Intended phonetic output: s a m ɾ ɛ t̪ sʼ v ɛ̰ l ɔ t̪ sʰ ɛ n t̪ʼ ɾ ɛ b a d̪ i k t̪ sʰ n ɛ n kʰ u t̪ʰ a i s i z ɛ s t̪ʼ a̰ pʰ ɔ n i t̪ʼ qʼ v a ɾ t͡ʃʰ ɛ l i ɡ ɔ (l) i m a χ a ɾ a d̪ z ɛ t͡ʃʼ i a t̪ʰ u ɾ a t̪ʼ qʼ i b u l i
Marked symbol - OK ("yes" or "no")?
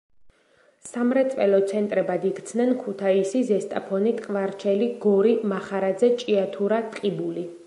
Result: no